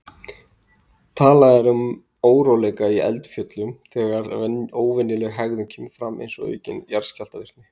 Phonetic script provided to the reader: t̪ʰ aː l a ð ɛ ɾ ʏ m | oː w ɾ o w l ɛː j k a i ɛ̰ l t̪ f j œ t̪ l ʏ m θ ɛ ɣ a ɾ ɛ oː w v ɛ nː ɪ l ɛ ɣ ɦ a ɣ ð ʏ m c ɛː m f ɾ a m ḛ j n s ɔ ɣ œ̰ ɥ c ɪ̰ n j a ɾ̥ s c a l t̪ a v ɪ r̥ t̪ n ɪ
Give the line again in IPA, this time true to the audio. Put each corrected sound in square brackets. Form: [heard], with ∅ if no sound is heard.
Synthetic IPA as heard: t̪ʰ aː l a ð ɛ ɾ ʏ m | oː w ɾ o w l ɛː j k a i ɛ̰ l t̪ f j œ t̪ l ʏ m θ ɛ ɣ a ɾ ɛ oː w v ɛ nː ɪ l ɛ ɣ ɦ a ɣ ð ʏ m [cʰ] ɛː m f ɾ a m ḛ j n s ɔ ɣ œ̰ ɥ c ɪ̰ n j a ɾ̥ s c a l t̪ a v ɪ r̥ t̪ n ɪ